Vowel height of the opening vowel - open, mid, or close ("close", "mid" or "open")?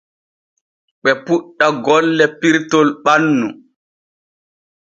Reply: mid